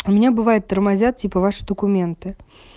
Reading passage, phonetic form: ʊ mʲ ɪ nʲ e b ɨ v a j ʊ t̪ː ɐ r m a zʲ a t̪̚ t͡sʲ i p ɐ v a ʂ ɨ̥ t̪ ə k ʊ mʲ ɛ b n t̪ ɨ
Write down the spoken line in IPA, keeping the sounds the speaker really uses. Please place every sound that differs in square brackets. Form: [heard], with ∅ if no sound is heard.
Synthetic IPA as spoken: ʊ mʲ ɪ nʲ [a] b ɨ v a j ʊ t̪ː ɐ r m a zʲ a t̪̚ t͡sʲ i p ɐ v a ʂ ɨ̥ [d̪] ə k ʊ mʲ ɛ [∅] n t̪ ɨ

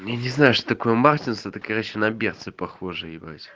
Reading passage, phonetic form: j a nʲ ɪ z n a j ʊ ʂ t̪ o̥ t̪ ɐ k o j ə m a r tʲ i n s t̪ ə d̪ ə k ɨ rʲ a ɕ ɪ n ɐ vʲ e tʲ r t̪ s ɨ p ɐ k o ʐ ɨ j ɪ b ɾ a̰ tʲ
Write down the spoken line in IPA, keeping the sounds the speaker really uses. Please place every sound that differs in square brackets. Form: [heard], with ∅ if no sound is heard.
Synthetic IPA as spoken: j a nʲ ɪ z n a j ʊ ʂ t̪ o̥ t̪ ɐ k o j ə m a r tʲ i n s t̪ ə [t̪] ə k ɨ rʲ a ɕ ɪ n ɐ [bʲ] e [∅] r t̪ s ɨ p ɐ [x] o ʐ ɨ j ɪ b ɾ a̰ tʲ

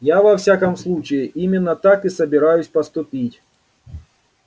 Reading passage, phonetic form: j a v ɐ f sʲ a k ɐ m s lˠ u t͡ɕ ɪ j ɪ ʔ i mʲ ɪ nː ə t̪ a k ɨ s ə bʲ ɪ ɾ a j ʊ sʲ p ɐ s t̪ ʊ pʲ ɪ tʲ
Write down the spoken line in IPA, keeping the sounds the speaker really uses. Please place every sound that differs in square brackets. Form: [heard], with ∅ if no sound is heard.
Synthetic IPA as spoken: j a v ɐ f sʲ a k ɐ m s lˠ u t͡ɕ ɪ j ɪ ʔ i mʲ ɪ nː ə t̪ a k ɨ s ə bʲ ɪ ɾ a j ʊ sʲ p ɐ s t̪ ʊ pʲ [i] tʲ

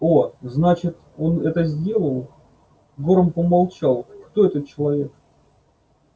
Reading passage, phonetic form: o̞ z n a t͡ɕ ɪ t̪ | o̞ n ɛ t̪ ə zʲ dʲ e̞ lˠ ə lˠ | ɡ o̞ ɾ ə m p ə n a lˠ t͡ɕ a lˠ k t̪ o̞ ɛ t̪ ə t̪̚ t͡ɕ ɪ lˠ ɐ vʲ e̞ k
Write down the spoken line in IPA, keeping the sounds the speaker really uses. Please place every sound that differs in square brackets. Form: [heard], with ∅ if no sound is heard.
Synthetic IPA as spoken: o̞ z n a t͡ɕ ɪ t̪ | o̞ n ɛ t̪ ə zʲ dʲ e̞ lˠ ə lˠ | ɡ o̞ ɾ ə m p ə [m] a lˠ t͡ɕ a lˠ k t̪ o̞ ɛ t̪ ə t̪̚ t͡ɕ ɪ lˠ ɐ vʲ e̞ k

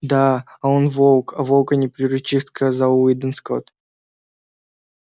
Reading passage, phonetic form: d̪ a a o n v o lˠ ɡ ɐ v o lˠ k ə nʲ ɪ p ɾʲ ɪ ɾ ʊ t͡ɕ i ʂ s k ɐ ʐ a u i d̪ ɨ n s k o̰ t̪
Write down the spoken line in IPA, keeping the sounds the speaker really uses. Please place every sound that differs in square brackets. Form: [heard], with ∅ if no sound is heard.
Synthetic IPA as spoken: d̪ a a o n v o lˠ [k] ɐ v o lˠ k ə nʲ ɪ p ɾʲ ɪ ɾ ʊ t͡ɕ i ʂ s k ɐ [z] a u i d̪ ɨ n s k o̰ t̪

